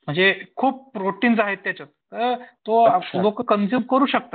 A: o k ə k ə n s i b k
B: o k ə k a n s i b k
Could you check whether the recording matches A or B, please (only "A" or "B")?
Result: A